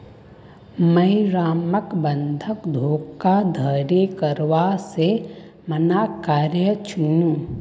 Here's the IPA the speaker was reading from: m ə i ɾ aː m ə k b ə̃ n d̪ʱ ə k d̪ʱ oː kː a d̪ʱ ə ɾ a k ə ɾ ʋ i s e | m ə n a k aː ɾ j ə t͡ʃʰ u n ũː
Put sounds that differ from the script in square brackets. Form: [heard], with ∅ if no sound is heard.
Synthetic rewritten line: m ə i ɾ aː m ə k b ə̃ n d̪ʱ ə k d̪ʱ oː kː a d̪ʱ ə ɾ [e] k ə ɾ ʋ [a] s e | m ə n a k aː ɾ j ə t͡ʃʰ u n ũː